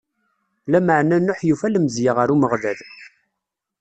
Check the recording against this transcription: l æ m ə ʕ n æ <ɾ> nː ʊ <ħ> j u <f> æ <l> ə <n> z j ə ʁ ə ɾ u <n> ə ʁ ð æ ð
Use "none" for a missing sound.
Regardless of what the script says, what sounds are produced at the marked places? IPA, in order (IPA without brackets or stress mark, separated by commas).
none, ħ, f, l, m, m